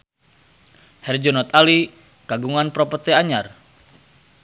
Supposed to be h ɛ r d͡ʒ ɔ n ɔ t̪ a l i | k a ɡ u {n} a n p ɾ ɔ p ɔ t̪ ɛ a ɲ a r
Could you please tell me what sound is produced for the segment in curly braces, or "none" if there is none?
ŋ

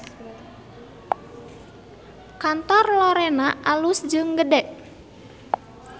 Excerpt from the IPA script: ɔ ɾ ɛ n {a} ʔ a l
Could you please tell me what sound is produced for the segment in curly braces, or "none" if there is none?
a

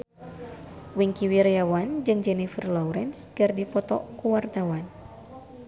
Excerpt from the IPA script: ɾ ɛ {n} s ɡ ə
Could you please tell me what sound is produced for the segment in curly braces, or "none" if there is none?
n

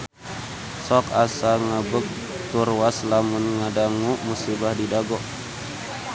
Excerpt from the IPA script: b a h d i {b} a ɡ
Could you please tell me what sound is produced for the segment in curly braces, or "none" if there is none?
d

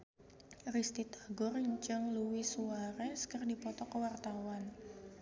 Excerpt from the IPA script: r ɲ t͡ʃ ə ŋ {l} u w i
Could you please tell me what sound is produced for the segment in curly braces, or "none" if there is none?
l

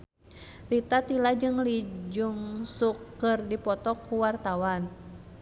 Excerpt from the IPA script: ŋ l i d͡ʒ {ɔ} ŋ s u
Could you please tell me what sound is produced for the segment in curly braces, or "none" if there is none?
u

